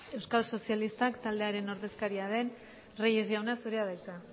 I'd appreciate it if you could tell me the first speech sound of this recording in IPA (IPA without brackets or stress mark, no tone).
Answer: e̞